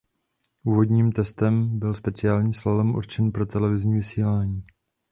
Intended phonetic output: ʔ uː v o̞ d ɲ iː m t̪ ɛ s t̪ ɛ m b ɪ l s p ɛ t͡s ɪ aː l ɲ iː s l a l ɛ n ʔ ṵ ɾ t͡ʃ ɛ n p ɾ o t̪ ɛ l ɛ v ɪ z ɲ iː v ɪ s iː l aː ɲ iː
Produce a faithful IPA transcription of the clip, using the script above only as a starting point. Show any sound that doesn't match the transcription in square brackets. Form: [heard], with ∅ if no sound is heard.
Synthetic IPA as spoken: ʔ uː v o̞ d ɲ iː m t̪ ɛ s t̪ ɛ m b ɪ l s p ɛ t͡s ɪ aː l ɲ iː s l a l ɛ [m] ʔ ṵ ɾ t͡ʃ ɛ n p ɾ o t̪ ɛ l ɛ v ɪ z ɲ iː v ɪ s iː l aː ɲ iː